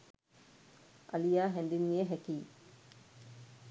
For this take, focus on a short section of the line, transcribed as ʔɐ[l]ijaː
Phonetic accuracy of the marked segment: correct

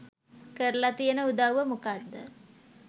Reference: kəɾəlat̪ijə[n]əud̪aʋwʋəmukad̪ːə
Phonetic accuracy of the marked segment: correct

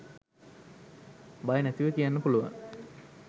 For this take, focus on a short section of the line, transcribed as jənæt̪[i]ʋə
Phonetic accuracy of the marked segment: correct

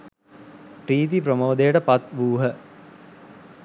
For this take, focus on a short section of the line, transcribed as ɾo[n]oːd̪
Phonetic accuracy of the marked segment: incorrect: m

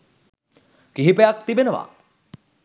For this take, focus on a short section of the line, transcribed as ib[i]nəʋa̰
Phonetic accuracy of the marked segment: incorrect: e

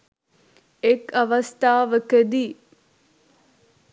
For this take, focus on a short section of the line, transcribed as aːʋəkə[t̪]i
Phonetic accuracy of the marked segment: incorrect: d̪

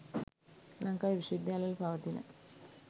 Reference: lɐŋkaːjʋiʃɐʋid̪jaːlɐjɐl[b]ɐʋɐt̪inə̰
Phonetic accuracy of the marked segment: incorrect: p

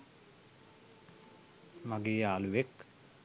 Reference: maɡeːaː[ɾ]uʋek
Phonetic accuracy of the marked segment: incorrect: l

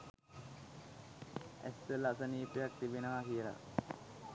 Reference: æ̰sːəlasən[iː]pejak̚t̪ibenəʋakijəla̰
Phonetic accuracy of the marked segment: correct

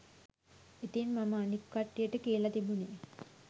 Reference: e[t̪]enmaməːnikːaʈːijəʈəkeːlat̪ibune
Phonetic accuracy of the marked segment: correct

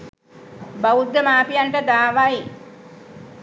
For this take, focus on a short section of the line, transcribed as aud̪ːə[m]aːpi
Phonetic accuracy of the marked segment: correct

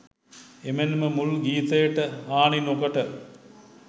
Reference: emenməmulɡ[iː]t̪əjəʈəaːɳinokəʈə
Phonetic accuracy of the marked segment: correct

